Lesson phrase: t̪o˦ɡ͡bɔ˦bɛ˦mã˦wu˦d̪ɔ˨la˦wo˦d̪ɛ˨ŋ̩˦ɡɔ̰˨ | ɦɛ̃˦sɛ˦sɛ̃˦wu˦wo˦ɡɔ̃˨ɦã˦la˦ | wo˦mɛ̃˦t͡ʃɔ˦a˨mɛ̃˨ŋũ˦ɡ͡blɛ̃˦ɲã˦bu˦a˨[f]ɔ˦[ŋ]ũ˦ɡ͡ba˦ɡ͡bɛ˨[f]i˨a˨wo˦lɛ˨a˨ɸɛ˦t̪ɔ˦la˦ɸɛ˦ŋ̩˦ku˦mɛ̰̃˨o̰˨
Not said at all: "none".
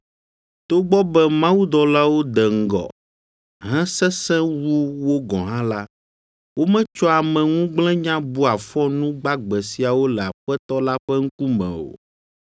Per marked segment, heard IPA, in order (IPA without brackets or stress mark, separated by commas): f, n, s